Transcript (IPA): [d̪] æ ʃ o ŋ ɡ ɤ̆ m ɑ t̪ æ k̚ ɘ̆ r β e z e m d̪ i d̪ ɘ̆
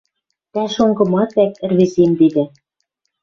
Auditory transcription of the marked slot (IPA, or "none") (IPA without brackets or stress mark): t̪